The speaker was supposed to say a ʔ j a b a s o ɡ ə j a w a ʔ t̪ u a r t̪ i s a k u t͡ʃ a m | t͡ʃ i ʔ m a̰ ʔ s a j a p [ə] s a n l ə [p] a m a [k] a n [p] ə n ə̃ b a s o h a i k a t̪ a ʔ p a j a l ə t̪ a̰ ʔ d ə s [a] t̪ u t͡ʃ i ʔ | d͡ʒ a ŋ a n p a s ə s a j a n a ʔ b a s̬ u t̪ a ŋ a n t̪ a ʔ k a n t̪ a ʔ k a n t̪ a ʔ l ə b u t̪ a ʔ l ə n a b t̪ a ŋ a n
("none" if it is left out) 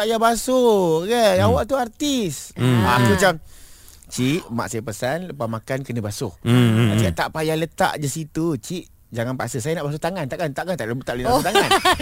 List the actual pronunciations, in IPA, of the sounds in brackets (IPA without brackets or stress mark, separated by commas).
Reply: ə, p, k, k, i